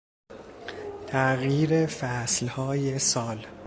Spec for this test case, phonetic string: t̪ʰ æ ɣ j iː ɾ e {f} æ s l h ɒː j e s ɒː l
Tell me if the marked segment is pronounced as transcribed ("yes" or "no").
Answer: yes